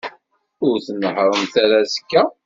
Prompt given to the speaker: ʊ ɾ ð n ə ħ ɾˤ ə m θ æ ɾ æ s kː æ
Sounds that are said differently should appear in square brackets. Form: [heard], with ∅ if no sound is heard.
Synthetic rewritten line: ʊ ɾ [θ] n ə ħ ɾˤ ə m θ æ ɾ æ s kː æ